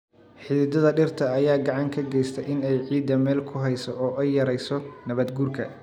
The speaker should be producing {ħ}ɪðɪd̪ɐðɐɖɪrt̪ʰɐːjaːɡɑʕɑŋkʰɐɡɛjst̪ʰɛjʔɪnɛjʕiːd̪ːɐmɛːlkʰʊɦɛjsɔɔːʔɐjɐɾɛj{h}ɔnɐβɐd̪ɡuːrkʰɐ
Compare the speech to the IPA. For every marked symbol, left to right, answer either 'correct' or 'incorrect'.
correct, incorrect: s

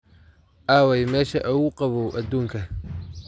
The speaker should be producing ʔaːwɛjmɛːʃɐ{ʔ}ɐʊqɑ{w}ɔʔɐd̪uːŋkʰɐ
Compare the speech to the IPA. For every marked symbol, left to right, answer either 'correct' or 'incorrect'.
correct, incorrect: β

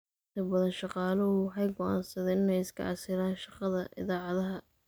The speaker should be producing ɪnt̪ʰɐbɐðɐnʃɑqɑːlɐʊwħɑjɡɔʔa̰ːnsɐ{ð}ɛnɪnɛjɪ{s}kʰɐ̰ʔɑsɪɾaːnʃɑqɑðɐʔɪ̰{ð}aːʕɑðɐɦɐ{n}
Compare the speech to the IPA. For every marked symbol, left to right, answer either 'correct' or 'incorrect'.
correct, correct, correct, incorrect: none

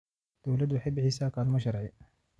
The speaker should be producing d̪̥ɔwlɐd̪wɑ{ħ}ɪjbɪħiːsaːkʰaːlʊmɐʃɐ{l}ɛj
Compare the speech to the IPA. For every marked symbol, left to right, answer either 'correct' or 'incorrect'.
correct, incorrect: ɾ

